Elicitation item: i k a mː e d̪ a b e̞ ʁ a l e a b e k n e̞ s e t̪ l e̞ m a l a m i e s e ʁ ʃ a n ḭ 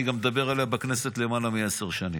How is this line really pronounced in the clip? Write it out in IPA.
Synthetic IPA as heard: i ɡ a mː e d̪ a b e̞ ʁ a l e a b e k n e̞ s e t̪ l e̞ m a l a m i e s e ʁ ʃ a n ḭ